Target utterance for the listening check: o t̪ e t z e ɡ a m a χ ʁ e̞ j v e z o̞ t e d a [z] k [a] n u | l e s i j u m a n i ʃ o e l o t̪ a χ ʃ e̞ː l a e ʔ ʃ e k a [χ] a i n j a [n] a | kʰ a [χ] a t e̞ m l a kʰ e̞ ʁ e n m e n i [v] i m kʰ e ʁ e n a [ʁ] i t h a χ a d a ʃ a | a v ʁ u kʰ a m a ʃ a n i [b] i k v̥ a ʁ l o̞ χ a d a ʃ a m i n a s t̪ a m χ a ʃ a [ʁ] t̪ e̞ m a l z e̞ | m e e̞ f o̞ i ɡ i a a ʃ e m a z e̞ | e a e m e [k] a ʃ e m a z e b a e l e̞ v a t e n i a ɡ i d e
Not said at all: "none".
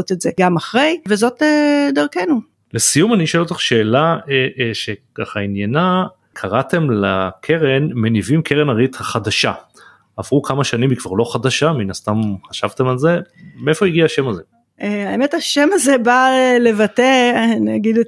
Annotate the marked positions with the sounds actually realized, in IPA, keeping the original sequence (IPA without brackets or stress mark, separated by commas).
ʁ, e, χ, n, ʁ, v, ʁ, m, v, t